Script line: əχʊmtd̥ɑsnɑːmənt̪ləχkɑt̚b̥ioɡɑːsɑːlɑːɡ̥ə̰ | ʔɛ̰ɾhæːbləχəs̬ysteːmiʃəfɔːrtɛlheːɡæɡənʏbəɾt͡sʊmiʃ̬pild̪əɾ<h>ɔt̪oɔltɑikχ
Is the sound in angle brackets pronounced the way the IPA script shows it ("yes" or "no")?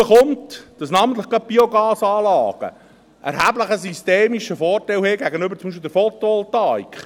no